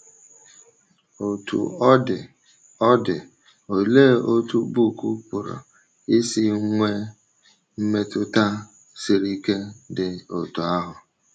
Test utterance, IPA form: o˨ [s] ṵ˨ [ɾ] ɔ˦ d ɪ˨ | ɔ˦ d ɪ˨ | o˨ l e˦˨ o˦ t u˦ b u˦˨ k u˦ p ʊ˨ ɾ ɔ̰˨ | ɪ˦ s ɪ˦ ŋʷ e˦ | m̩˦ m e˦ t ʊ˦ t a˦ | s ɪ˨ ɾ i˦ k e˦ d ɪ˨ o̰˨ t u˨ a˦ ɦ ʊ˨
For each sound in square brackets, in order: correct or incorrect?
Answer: incorrect, incorrect

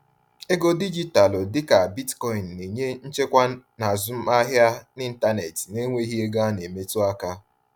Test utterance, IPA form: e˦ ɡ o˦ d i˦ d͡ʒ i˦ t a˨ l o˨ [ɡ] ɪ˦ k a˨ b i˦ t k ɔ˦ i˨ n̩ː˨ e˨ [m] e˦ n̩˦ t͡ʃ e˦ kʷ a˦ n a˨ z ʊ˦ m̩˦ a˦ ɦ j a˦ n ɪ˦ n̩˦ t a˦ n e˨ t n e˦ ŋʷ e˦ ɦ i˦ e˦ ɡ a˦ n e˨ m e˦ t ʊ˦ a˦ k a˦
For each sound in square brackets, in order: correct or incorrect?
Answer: incorrect, incorrect

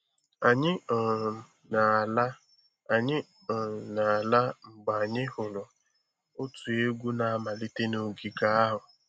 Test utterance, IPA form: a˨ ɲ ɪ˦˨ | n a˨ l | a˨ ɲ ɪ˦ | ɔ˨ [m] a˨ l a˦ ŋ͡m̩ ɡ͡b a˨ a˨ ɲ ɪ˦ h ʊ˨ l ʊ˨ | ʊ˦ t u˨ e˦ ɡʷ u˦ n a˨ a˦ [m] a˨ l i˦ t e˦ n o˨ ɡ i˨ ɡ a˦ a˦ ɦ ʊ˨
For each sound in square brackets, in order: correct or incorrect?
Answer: incorrect, correct

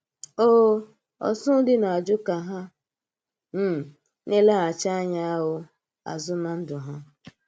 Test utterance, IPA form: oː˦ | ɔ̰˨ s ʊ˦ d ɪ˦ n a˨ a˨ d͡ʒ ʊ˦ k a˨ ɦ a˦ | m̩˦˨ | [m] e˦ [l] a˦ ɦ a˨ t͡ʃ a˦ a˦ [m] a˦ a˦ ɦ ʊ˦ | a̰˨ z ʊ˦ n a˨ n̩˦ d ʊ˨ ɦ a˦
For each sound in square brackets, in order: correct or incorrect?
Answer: incorrect, correct, incorrect

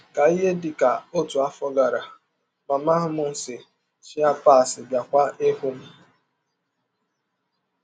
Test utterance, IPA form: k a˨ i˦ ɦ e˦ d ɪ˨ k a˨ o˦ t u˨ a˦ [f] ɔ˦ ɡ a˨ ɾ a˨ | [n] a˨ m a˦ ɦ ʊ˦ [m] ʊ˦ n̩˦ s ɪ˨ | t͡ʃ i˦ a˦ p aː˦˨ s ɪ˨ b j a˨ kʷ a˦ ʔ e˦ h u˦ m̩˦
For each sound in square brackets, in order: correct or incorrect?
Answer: correct, incorrect, correct

